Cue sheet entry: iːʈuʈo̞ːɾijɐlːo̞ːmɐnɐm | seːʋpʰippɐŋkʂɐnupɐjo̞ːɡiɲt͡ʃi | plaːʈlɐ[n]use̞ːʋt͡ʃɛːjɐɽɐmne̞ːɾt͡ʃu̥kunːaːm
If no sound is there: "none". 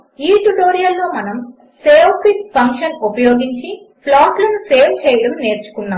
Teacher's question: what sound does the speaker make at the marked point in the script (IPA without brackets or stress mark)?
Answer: n